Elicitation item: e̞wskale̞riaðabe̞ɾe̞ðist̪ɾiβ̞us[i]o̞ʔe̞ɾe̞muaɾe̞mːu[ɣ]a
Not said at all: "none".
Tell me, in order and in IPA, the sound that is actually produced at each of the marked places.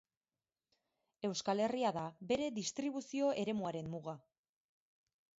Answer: i, ɣ

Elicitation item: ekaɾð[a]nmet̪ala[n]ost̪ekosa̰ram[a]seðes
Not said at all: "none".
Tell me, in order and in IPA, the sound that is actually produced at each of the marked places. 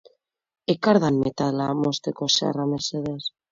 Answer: a, m, e

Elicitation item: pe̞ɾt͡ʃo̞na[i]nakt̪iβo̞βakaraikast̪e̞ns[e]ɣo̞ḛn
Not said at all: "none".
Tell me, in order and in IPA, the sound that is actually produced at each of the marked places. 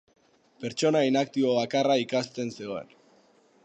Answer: i, e

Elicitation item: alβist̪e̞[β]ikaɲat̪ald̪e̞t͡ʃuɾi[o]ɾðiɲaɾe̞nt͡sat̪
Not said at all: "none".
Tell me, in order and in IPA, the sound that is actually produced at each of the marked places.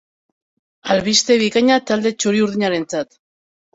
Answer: β, u

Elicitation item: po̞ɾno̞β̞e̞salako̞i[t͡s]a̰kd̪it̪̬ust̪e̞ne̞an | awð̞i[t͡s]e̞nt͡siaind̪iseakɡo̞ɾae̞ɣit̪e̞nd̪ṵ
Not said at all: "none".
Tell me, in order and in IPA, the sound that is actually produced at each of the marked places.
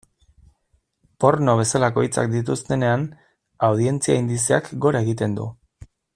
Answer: t͡s, none

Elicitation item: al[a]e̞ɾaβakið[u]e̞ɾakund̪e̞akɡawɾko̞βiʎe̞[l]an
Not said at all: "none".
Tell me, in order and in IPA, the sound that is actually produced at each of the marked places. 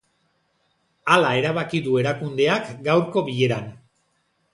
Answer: a, u, ɾ

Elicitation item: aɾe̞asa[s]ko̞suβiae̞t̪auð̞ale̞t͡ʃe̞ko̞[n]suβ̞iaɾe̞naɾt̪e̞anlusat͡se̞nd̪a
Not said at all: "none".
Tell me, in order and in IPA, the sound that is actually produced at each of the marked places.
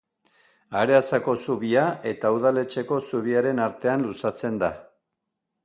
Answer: none, none

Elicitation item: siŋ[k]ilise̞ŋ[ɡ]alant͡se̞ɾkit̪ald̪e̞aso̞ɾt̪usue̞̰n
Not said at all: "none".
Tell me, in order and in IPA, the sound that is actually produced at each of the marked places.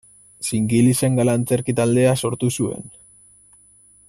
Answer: ɡ, ɡ

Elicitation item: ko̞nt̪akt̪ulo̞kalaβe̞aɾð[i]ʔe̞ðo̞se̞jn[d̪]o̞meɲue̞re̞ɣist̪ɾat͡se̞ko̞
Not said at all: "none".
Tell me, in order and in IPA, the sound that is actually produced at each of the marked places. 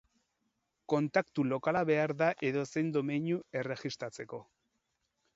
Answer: a, d̪

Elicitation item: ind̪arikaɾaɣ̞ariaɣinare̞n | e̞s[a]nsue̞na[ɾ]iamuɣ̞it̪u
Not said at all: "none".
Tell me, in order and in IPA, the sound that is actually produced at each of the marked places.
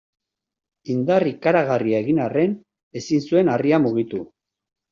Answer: i, r

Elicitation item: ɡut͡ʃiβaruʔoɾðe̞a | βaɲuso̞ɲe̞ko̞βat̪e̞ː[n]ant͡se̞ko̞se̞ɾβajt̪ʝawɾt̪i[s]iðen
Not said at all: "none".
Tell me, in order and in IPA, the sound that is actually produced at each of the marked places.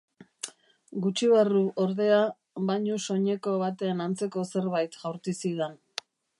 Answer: n, s

